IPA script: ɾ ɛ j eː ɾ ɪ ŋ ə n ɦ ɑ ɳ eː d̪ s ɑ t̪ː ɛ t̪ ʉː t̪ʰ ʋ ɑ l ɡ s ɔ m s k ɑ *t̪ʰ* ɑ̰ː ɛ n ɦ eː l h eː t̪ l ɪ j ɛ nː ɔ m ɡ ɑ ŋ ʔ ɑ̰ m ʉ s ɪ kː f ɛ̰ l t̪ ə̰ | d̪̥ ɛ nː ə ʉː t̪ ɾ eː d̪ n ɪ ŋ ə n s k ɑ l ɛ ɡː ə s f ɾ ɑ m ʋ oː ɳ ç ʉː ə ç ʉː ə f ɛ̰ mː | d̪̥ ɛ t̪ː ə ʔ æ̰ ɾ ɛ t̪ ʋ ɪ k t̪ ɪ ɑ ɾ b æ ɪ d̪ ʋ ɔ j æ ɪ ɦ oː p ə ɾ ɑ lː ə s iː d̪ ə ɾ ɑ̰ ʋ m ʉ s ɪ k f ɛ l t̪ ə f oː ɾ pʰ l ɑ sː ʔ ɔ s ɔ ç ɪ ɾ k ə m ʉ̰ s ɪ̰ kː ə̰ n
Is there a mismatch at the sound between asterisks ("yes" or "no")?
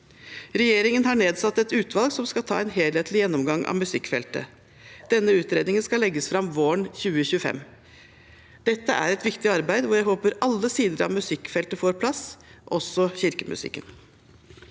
no